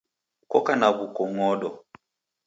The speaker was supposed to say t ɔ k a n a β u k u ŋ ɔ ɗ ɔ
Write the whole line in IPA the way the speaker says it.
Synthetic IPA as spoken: k ɔ k a n a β u k ɔ ŋ ɔ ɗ ɔ